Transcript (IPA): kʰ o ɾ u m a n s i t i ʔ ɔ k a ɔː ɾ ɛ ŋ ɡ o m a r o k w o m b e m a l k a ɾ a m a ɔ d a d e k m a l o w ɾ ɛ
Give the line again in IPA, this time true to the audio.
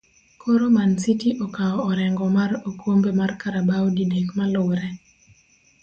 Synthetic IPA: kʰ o ɾ o m a n s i t i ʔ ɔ k a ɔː ɾ ɛ ŋ ɡ ɔ m a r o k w o m b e m a r k a ɾ a b a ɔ d i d e k m a l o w ɾ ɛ